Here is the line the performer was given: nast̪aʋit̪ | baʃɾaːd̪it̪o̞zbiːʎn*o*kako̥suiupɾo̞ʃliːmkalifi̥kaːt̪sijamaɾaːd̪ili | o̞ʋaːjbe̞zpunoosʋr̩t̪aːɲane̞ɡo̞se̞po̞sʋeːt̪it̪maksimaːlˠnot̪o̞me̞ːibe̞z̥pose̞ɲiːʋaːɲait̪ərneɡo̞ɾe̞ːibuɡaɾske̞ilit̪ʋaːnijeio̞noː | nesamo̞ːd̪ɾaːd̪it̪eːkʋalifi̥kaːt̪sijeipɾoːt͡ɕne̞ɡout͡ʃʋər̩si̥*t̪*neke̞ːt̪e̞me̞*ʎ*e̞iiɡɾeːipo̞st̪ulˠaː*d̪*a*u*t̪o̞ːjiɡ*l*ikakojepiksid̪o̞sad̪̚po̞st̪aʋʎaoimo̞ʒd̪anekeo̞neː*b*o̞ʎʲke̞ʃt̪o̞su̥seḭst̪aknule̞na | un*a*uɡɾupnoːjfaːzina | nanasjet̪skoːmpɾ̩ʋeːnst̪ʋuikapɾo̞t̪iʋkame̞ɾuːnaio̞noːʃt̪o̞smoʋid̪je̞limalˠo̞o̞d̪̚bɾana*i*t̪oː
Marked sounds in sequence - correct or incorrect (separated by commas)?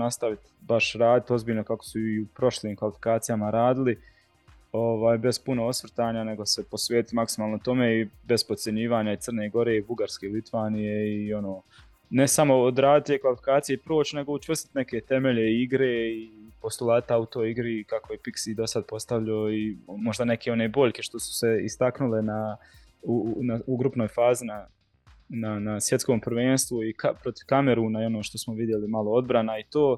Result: correct, correct, correct, incorrect, correct, incorrect, correct, correct, correct